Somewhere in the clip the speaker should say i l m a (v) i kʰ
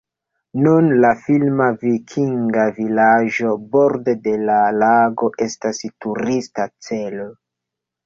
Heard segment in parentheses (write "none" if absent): v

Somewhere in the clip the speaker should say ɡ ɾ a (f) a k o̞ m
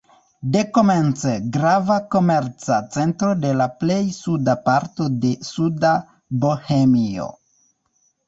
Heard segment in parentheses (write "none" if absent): v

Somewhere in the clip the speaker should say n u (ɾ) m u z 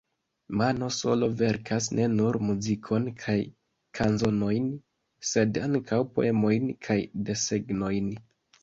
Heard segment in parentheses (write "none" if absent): ɾ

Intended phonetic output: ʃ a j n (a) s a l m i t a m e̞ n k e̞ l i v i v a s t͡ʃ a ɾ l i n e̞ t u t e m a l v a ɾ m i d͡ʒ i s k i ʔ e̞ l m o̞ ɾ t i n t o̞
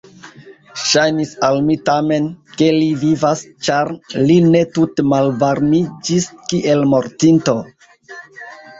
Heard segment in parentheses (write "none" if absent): i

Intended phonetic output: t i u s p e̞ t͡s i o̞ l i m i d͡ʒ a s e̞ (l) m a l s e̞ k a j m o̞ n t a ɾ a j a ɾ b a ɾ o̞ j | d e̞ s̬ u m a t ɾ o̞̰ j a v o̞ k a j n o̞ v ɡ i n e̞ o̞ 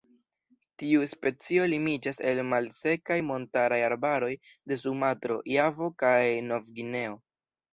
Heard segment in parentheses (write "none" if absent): l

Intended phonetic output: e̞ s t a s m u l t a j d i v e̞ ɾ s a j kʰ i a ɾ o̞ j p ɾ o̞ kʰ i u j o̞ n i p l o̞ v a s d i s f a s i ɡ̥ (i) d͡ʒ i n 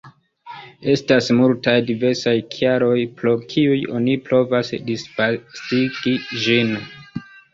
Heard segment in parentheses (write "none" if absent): i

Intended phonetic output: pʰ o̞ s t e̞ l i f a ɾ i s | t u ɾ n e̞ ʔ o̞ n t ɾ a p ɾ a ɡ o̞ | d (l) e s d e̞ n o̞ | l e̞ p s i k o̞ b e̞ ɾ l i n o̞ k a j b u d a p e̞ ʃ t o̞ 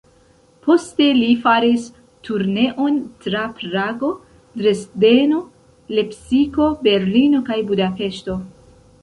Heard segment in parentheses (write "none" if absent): ɾ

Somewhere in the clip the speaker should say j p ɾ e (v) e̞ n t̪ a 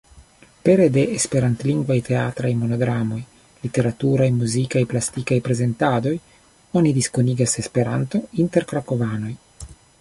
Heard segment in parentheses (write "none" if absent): z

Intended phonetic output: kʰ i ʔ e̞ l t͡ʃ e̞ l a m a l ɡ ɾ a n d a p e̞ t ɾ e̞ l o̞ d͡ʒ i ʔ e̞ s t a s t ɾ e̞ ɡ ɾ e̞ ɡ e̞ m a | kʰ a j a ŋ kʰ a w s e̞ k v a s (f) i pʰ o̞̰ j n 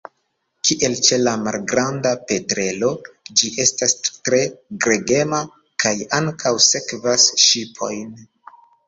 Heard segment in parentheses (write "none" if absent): ʃ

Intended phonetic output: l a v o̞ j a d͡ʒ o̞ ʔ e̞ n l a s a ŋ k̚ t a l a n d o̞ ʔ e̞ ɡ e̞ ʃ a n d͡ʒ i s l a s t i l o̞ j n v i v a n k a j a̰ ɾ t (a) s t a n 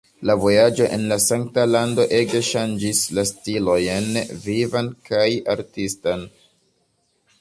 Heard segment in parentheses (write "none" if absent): i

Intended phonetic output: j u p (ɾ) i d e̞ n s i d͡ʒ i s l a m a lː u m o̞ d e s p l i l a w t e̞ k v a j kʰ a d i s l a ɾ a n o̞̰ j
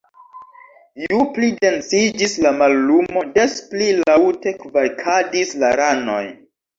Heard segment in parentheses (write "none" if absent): l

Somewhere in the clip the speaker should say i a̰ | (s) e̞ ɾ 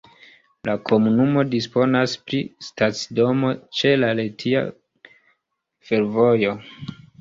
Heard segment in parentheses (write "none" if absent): f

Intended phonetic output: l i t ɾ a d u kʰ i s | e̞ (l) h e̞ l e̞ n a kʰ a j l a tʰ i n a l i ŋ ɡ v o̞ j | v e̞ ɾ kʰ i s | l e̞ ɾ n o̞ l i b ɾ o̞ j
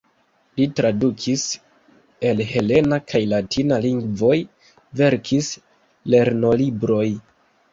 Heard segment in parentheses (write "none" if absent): l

